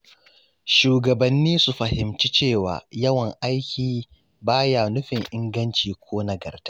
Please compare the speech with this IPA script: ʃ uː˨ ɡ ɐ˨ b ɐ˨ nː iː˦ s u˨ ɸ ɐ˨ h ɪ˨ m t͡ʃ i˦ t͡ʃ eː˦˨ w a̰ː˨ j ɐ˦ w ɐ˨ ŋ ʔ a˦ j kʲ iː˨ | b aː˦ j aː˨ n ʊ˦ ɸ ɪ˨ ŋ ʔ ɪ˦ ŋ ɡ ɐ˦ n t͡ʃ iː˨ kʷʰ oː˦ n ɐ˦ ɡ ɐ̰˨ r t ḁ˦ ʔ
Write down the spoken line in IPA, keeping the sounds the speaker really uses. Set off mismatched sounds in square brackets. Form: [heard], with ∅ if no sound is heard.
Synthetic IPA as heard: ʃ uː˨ ɡ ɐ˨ b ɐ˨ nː iː˦ s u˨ ɸ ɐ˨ h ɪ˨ m t͡ʃ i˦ t͡ʃ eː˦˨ w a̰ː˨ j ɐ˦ w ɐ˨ ŋ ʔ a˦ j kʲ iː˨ | b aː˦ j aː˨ n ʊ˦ ɸ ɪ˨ ŋ ʔ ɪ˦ ŋ ɡ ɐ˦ n t͡ʃ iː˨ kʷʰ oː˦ n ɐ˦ ɡ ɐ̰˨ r t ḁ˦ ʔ